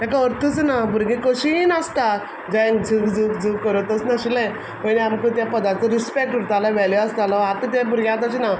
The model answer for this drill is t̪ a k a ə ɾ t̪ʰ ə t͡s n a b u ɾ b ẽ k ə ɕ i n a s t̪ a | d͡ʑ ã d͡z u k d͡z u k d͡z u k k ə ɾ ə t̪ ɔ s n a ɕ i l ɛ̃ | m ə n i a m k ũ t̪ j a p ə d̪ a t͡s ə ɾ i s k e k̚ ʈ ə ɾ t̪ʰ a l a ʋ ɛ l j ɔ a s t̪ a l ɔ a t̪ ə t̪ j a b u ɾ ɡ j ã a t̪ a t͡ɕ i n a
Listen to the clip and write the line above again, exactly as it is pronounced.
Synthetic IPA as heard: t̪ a k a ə ɾ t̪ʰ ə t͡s n a b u ɾ ɡ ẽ k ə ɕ i n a s t̪ a | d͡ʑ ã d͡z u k d͡z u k d͡z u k k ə ɾ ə t̪ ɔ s n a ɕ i l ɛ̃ | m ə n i a m k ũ t̪ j a p ə d̪ a t͡s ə ɾ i s p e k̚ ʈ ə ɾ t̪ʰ a l a ʋ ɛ l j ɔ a s t̪ a l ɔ a t̪ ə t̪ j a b u ɾ ɡ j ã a t̪ a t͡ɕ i n a